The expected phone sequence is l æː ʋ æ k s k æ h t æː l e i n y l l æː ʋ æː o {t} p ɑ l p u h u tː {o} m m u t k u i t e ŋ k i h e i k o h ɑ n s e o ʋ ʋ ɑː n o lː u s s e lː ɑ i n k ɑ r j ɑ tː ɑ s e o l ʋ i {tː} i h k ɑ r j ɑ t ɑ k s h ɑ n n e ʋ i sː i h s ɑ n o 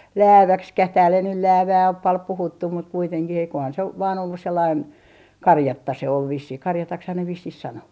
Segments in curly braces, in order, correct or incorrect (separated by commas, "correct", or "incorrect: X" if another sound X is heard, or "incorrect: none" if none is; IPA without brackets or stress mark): incorrect: p, incorrect: u, incorrect: sː